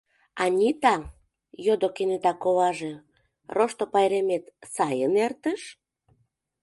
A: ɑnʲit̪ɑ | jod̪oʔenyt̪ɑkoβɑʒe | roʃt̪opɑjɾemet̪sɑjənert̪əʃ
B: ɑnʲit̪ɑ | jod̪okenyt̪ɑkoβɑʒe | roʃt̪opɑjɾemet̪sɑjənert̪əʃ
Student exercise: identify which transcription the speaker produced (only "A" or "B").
B